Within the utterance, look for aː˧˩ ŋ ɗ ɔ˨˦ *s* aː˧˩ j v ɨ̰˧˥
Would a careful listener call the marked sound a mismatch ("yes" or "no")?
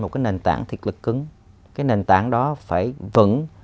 yes